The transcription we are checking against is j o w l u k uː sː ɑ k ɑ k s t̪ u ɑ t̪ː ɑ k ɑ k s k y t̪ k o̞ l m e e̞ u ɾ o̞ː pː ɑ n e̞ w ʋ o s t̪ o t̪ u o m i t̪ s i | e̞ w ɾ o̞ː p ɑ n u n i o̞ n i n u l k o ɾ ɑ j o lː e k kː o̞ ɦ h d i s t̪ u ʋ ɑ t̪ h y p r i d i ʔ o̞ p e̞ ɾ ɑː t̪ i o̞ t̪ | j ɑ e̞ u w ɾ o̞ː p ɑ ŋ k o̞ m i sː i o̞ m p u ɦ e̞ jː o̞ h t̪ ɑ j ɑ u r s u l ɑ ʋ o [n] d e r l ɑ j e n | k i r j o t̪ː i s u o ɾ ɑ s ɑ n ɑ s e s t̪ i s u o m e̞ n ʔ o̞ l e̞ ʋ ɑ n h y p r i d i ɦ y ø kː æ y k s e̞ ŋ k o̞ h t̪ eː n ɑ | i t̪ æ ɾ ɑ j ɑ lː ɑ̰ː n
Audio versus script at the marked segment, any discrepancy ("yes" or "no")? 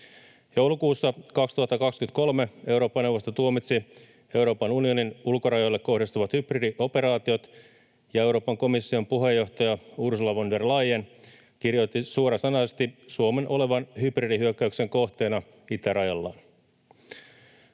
no